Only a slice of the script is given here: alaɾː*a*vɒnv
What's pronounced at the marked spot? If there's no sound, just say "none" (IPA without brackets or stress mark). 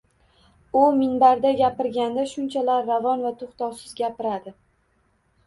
a